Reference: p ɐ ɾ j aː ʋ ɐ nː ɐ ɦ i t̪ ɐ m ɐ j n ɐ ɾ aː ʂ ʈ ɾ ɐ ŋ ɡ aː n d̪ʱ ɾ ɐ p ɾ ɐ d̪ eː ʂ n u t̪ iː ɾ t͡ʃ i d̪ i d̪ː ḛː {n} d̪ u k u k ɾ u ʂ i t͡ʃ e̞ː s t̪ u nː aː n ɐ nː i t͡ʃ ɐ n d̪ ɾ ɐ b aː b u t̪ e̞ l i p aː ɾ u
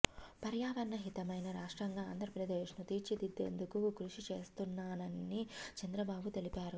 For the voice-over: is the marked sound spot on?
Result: yes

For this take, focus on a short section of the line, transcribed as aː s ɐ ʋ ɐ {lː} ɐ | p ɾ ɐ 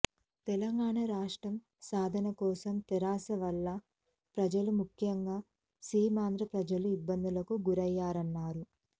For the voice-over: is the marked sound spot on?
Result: yes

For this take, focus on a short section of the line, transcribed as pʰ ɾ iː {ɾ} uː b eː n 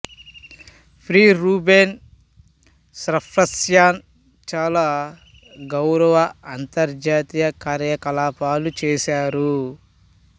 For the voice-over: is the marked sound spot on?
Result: yes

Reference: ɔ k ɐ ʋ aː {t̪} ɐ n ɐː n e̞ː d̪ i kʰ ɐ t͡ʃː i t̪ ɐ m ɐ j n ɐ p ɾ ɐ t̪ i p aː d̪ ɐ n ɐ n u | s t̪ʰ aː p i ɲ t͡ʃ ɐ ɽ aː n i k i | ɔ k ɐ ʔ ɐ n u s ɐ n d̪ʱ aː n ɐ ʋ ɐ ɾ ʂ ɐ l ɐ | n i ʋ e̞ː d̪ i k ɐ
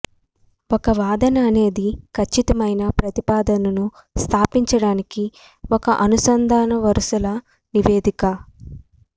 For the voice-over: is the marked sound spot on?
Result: no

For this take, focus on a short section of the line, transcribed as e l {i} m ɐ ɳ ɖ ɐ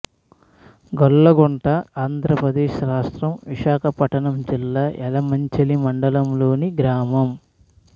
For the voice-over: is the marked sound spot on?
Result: yes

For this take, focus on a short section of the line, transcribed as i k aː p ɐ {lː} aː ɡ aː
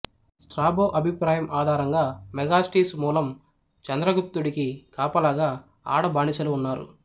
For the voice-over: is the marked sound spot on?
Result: no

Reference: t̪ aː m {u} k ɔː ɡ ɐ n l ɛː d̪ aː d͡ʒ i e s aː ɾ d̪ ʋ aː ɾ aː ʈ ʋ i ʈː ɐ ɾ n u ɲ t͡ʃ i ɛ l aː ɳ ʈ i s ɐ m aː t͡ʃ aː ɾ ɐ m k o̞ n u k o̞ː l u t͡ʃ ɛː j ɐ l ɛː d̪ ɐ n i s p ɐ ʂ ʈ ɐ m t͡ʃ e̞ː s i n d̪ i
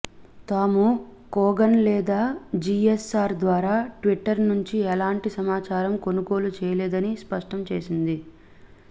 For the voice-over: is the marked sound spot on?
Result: yes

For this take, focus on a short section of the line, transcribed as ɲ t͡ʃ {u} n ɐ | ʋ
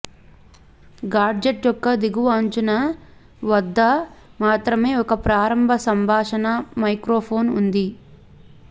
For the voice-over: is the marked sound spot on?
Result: yes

